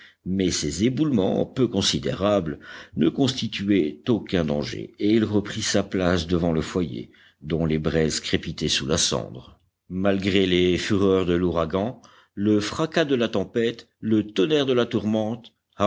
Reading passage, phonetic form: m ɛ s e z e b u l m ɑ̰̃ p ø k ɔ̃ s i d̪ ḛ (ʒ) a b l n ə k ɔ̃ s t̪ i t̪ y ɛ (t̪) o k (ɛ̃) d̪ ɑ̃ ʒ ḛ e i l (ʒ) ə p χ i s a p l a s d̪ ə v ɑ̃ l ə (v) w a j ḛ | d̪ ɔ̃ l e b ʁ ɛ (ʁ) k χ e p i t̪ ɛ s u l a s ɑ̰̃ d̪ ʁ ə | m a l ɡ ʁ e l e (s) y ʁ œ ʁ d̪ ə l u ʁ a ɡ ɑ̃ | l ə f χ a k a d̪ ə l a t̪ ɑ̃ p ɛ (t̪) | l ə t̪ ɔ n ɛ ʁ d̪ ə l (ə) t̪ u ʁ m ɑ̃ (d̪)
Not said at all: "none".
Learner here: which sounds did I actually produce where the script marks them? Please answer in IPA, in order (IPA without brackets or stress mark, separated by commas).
ʁ, t̪, ɛ̃, ʁ, f, z, f, t̪, a, t̪